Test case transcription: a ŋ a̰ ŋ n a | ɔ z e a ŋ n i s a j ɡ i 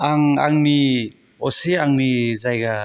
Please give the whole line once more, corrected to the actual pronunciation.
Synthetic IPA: a ŋ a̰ ŋ n i | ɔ s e a ŋ n i z a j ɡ a